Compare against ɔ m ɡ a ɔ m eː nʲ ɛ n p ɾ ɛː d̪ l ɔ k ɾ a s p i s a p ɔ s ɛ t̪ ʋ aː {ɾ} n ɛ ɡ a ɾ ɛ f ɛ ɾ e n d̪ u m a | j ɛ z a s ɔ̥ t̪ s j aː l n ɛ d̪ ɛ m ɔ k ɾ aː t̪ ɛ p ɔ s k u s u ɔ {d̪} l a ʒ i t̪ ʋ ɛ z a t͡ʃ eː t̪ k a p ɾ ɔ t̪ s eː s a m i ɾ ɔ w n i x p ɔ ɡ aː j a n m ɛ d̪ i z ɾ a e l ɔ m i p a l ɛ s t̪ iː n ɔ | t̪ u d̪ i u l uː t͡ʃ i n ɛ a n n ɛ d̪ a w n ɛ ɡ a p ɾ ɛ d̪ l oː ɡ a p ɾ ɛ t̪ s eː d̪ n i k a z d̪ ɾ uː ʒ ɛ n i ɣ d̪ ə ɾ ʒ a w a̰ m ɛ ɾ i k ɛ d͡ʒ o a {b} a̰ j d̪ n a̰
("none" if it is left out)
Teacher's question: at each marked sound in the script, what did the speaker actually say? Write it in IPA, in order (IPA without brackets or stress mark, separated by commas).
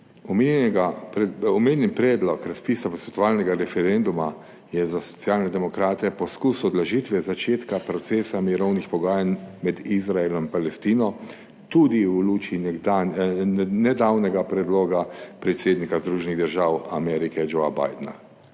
l, d̪, b